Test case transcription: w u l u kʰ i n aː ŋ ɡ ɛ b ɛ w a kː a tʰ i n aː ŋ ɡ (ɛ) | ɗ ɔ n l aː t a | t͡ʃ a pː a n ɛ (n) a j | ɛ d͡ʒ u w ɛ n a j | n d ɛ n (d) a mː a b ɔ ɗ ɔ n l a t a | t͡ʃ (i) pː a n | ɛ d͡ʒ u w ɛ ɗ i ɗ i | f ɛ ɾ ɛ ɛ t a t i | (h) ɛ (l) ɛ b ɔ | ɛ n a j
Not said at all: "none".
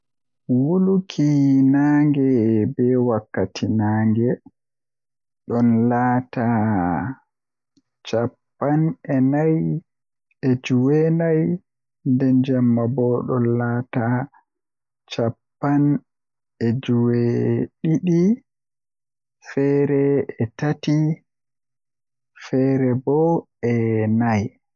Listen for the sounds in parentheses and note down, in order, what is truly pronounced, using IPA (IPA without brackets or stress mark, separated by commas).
ɛ, n, d͡ʒ, a, f, ɾ